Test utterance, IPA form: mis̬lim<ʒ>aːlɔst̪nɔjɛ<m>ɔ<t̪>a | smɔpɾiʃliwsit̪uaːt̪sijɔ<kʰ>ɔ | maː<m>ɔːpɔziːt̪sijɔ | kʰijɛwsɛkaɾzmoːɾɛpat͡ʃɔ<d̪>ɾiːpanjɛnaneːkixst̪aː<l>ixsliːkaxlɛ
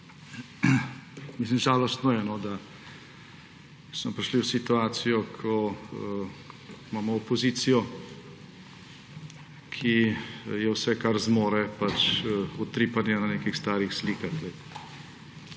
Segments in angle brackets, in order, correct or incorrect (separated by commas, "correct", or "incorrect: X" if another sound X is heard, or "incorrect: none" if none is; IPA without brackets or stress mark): correct, incorrect: n, incorrect: d̪, correct, correct, incorrect: t̪, incorrect: ɾ